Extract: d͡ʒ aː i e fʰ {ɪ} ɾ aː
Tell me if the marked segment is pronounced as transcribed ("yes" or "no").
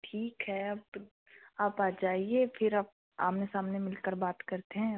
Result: yes